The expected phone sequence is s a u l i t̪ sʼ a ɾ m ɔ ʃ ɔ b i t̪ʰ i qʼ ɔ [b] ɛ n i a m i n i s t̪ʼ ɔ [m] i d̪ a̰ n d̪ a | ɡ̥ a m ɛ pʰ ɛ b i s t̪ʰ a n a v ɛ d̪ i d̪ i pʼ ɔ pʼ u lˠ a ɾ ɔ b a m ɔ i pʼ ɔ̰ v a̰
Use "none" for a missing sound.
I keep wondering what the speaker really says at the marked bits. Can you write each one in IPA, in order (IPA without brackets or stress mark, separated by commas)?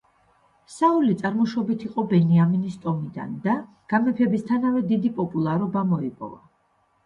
b, m